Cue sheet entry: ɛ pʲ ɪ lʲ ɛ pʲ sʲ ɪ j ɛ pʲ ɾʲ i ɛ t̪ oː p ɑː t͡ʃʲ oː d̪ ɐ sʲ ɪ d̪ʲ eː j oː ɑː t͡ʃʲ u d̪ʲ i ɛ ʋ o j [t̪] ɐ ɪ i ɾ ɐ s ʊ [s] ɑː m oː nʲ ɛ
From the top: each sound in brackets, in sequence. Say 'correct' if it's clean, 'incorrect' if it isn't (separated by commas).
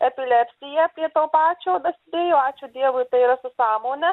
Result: correct, correct